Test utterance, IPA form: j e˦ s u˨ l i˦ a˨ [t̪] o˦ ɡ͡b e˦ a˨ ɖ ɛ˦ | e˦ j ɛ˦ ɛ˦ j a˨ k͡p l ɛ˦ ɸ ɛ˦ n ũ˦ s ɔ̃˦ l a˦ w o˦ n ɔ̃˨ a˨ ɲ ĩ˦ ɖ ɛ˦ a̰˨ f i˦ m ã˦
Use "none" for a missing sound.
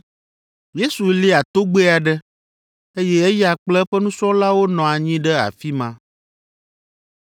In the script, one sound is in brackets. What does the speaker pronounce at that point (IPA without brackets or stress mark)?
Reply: t̪